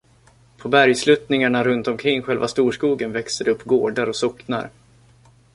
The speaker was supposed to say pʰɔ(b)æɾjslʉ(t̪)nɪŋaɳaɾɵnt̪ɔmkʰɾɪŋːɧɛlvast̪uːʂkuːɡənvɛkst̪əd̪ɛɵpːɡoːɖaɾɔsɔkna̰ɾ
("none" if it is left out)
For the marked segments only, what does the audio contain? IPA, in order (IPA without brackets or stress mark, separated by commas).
b, t̪